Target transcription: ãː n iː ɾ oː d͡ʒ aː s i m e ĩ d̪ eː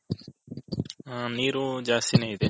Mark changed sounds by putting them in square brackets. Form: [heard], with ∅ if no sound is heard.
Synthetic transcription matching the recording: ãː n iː ɾ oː d͡ʒ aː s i [n] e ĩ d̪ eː